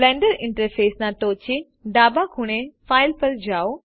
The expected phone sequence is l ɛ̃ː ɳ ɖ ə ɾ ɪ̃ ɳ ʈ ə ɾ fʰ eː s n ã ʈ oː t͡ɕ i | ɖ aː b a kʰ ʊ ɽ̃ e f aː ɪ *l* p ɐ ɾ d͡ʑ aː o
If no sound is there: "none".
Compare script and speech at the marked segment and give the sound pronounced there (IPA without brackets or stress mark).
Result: l